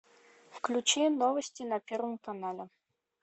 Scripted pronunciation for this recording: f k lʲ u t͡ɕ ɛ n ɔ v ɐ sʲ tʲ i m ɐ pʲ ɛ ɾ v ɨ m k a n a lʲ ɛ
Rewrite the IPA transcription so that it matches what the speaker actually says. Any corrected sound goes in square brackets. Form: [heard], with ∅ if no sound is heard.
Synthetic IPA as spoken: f k lʲ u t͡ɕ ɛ n ɔ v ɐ sʲ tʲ i [n] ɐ pʲ ɛ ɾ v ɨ m k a n a lʲ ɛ